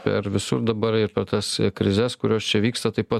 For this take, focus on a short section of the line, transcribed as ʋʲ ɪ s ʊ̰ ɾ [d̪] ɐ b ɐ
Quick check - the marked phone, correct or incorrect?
correct